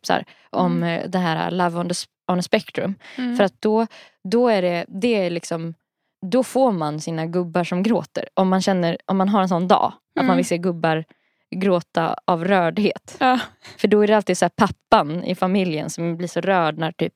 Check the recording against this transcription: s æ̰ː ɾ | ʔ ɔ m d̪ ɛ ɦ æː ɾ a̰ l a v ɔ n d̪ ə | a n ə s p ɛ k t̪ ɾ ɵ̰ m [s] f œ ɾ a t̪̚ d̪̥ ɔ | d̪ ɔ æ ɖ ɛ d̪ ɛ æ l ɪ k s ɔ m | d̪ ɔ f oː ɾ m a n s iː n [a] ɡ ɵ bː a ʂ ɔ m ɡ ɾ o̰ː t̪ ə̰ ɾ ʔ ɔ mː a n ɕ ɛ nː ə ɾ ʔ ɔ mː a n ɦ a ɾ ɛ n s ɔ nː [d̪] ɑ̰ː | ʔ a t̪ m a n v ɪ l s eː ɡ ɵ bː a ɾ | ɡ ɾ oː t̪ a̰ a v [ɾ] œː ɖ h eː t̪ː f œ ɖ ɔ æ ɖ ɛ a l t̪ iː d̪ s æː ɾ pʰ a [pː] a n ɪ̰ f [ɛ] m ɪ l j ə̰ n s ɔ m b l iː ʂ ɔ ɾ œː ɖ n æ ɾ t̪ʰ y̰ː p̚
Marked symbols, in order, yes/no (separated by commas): no, yes, yes, yes, yes, no